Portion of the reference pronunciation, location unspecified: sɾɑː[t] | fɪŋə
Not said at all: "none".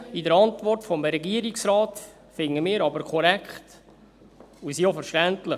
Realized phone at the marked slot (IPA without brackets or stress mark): t